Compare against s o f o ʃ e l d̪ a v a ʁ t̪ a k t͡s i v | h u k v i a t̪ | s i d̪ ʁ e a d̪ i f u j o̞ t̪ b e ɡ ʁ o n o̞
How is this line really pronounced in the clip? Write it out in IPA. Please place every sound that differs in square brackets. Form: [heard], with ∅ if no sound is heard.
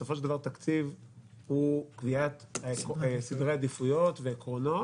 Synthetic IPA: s o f o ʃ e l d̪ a v a ʁ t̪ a k t͡s i v | h u k v i a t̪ | s i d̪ ʁ e a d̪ i f u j o̞ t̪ [v] e [k] ʁ o n o̞